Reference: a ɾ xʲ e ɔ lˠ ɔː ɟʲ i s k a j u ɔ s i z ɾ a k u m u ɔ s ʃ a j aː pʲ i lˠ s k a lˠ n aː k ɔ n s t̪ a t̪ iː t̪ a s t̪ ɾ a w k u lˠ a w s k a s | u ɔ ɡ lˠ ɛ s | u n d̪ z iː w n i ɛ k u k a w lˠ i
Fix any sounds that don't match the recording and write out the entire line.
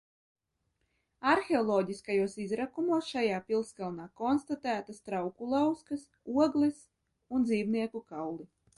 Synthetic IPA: a ɾ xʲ e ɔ lˠ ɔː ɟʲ i s k a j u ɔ s i z ɾ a k u m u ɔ s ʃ a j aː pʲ i lˠ s k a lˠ n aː k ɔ n s t̪ a t̪ æː t̪ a s t̪ ɾ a w k u lˠ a w s k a s | u ɔ ɡ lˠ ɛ s | u n d̪ z iː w n i ɛ k u k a w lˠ i